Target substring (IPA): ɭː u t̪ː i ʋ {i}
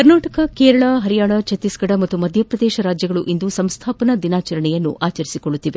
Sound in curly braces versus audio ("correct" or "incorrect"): incorrect